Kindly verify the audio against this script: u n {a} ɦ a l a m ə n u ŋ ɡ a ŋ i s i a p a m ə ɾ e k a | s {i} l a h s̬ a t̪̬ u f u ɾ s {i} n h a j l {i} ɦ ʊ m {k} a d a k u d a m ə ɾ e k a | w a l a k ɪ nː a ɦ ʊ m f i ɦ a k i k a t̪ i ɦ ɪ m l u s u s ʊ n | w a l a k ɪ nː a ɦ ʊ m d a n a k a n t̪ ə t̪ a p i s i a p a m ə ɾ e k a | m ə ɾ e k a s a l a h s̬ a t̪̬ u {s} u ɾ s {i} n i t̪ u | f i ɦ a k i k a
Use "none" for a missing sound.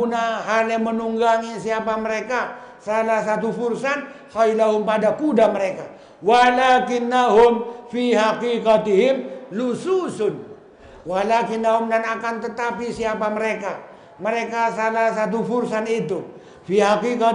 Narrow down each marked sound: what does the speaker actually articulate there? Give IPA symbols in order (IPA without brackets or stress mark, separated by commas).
a, a, a, a, p, f, a